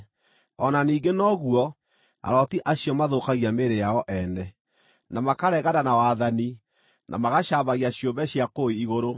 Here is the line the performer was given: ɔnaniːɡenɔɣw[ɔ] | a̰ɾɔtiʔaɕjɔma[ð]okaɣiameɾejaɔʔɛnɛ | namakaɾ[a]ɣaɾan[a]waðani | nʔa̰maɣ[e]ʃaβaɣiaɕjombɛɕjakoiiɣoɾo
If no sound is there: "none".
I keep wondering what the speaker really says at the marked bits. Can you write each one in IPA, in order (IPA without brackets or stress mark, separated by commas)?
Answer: ɔ, ð, ɛ, a, a